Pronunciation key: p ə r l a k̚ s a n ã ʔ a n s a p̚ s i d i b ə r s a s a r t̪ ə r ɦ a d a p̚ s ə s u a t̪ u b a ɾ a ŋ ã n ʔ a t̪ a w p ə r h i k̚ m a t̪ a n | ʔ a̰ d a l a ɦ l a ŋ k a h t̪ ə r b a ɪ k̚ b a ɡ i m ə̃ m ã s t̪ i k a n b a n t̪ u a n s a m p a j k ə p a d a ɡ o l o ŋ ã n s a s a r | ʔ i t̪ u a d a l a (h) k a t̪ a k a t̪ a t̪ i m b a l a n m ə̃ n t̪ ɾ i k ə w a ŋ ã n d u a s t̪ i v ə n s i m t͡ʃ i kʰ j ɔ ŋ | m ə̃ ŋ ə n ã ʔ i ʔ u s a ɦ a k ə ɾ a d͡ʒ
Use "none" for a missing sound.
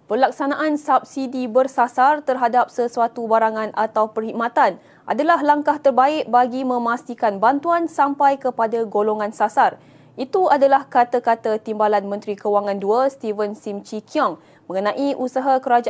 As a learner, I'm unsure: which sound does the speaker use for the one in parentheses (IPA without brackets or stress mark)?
h